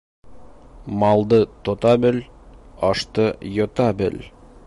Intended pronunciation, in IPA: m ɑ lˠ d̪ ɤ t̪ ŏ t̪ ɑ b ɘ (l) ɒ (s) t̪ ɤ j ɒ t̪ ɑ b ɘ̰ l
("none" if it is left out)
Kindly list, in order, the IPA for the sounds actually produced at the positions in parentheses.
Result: l, ʃ

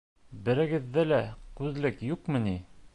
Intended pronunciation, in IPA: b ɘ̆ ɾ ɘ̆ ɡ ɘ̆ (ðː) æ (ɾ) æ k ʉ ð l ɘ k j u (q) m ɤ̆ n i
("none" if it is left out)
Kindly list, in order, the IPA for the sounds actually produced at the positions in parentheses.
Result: ðː, l, q

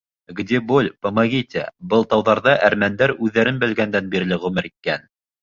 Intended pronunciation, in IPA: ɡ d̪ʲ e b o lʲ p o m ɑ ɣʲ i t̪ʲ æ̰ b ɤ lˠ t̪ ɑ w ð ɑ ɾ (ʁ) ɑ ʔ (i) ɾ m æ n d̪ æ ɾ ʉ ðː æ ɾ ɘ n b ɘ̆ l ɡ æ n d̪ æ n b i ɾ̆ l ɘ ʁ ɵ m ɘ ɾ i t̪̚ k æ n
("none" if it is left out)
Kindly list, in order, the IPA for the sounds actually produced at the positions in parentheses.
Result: ð, æ

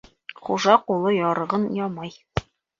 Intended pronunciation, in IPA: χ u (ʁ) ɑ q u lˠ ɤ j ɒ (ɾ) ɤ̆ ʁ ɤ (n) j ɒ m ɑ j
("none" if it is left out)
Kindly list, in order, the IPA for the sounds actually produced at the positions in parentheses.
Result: ʒ, ɾ, n

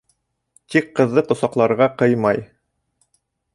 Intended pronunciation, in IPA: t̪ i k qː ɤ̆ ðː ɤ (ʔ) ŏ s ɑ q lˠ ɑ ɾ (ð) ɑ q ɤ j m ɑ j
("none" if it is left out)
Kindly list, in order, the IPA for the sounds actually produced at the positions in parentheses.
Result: q, ʁ

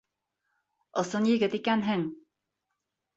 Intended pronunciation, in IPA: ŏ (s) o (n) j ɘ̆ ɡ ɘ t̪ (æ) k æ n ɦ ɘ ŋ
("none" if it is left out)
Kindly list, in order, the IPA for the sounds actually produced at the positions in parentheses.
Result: s, n, i

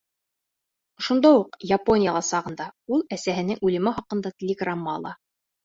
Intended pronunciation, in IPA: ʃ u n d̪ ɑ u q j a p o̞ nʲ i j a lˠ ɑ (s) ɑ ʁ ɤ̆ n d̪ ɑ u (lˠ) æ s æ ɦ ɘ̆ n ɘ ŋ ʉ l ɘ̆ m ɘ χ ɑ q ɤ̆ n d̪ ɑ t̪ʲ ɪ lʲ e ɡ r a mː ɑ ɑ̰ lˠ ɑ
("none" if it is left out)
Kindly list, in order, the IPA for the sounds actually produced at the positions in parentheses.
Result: s, lˠ

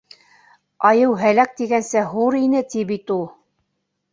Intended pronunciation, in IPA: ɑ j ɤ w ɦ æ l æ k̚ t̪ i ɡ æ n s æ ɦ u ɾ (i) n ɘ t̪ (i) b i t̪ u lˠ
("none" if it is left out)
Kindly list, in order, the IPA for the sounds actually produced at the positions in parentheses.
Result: i, i

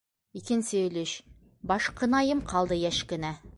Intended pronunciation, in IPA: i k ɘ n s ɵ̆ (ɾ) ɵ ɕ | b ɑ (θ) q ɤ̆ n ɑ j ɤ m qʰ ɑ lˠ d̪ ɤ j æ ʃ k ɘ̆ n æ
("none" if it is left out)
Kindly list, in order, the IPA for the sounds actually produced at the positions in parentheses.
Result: l, ʃ

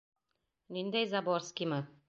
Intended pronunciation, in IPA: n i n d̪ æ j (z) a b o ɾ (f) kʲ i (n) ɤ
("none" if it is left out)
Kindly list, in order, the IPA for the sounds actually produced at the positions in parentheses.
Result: z, s, m

